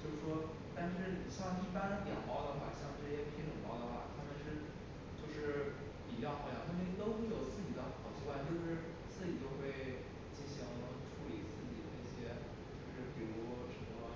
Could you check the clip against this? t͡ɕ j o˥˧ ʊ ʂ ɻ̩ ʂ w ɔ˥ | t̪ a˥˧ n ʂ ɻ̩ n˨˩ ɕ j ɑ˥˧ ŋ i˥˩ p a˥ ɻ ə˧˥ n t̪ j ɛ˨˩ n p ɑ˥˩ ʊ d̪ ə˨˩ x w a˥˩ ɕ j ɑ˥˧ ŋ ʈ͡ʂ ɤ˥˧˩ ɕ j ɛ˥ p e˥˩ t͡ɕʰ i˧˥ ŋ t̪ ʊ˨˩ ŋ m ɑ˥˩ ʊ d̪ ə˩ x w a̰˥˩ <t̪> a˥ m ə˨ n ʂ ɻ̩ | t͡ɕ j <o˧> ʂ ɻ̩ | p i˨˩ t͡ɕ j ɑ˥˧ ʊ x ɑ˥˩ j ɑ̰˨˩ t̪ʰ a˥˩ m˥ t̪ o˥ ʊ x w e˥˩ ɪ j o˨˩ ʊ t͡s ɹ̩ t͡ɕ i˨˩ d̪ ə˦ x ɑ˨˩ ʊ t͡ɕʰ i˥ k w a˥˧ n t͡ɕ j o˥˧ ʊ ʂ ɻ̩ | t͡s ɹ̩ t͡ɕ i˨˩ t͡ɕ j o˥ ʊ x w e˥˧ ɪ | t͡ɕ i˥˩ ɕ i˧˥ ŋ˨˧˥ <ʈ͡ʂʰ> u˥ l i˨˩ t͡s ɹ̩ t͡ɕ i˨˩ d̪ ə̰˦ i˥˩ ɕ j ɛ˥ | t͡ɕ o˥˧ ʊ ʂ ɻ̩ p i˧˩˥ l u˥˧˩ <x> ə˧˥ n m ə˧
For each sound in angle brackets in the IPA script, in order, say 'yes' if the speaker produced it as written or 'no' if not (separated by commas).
no, no, yes, no